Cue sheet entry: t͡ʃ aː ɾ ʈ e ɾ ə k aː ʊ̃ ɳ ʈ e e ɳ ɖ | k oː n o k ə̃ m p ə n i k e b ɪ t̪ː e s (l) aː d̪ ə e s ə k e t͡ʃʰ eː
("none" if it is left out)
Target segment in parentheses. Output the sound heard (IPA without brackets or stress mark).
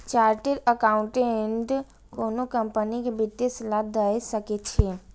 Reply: l